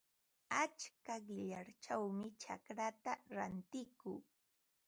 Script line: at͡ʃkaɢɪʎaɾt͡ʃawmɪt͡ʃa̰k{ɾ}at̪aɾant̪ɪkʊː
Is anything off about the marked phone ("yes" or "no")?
no